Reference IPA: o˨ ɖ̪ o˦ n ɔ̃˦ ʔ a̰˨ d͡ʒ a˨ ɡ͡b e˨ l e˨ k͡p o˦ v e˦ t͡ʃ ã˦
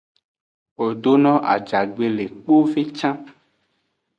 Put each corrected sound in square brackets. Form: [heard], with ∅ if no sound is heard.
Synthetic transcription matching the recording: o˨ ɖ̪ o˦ n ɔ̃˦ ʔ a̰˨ d͡ʒ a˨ ɡ͡b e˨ l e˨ k͡p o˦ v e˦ t͡ʃ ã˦